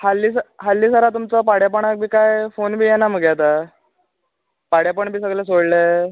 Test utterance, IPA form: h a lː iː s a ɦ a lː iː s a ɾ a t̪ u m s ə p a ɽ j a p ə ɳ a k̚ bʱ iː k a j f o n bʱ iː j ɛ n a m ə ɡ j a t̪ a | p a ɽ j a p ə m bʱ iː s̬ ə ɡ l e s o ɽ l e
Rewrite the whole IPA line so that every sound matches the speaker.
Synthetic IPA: h a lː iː s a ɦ a lː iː s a ɾ a t̪ u m t͡s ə p a ɽ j a p ə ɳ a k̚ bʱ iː k a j f o n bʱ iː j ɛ n a m ə ɡ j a t̪ a | p a ɽ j a p ə ɳ bʱ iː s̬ ə ɡ l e s o ɽ l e